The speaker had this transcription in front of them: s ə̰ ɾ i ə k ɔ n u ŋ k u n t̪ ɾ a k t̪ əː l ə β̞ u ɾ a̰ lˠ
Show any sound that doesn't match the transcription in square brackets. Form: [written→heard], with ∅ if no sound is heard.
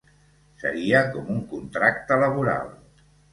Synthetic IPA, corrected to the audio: s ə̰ ɾ i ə k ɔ [n→m] u ŋ k u n t̪ ɾ a k t̪ [əː→ə] l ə β̞ u ɾ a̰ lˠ